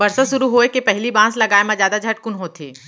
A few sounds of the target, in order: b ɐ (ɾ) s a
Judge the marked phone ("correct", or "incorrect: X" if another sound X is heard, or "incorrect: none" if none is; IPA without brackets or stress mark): correct